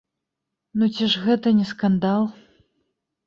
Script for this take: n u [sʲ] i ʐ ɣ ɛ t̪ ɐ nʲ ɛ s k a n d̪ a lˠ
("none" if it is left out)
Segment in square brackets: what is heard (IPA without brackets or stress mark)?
t͡sʲ